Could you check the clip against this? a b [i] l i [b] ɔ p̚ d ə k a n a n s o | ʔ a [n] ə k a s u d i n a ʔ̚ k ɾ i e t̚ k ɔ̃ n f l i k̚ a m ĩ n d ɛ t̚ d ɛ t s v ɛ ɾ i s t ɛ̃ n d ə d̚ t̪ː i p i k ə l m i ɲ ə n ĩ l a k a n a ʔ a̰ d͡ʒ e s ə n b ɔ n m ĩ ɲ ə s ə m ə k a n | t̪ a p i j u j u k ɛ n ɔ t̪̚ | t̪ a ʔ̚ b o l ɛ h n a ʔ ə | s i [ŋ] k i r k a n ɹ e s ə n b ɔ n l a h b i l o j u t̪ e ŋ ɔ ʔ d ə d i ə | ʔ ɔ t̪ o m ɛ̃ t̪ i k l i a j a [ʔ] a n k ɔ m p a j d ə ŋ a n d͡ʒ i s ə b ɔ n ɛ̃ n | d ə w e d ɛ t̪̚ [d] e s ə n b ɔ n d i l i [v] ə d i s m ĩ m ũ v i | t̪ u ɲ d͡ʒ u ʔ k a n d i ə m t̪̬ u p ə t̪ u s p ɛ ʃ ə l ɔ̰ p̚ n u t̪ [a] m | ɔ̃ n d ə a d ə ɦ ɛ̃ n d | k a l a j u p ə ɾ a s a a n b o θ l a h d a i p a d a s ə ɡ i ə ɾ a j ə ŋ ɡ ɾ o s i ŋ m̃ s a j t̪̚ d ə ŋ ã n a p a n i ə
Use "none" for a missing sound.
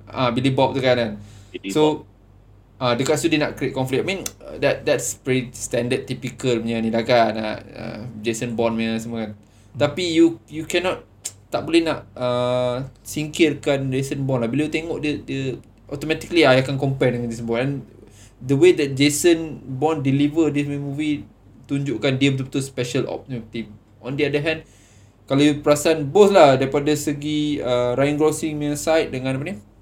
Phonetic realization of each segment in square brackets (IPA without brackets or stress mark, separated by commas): i, b, d, ŋ, k, d͡ʒ, v, i